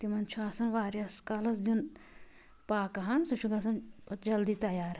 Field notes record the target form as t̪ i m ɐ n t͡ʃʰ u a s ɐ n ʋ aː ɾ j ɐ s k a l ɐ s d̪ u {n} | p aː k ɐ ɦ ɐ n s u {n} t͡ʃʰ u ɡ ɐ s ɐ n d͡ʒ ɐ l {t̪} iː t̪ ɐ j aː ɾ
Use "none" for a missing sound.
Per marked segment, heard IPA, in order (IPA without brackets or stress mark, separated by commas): n, none, d̪